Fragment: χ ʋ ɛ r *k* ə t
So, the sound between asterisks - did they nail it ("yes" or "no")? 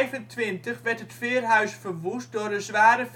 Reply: no